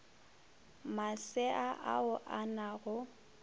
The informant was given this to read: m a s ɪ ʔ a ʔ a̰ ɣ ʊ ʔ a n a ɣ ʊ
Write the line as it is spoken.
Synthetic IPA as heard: m a s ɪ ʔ a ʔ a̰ ʊ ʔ a n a ɣ ʊ